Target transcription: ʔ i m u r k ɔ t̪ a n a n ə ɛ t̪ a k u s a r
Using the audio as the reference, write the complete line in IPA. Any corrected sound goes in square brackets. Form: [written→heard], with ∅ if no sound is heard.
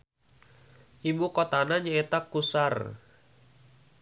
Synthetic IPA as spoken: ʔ i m u [r→∅] k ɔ t̪ a n a [n→ɲ] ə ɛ t̪ a k u s a r